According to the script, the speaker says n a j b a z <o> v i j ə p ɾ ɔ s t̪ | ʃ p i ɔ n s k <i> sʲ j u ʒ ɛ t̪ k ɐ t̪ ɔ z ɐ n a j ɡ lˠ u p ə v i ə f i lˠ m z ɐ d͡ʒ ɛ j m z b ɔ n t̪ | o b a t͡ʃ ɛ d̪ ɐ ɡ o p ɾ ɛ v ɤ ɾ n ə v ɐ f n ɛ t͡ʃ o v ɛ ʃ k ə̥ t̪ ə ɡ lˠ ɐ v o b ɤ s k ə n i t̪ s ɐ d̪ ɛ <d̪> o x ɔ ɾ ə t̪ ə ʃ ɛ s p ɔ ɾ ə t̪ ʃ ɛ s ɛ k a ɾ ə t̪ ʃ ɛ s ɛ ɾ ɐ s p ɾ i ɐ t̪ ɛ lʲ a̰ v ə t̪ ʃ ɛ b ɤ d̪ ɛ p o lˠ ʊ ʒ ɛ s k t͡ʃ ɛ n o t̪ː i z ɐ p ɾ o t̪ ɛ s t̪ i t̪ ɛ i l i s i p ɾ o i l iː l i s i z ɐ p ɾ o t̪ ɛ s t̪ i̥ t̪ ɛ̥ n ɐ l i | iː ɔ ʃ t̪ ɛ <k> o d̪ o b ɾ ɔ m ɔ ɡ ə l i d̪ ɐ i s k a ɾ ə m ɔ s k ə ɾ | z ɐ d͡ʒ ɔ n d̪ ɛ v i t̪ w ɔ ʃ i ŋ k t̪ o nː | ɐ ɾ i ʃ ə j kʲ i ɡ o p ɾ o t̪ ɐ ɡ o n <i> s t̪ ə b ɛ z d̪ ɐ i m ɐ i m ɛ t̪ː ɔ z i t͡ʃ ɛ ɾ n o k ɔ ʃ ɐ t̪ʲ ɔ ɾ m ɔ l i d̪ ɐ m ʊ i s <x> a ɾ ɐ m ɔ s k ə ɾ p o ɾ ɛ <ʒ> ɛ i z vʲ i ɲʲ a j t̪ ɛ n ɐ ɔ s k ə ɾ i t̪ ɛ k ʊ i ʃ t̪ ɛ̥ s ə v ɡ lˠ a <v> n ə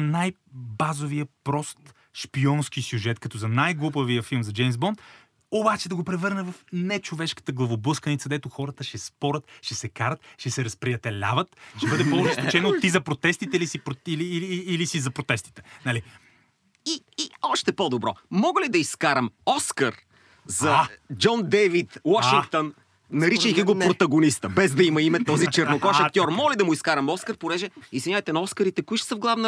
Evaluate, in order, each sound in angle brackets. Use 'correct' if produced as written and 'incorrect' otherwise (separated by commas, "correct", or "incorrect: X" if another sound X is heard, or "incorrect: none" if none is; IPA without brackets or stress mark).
correct, correct, incorrect: t̪, incorrect: p, correct, incorrect: k, correct, correct